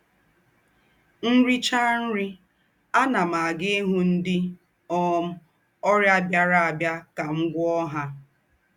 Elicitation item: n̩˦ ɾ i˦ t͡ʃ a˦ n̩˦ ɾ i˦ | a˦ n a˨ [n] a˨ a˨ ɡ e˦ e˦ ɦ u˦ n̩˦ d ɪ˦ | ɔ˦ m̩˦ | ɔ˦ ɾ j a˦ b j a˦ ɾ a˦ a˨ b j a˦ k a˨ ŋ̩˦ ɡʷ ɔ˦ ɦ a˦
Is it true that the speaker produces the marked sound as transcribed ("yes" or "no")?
no